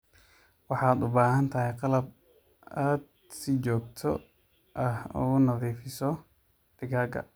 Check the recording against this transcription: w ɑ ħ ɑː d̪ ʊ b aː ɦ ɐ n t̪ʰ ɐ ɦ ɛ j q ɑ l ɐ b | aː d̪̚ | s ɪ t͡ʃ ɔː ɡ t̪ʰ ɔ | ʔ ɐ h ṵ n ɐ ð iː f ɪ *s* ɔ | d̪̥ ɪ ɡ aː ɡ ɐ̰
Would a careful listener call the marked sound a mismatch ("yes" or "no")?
no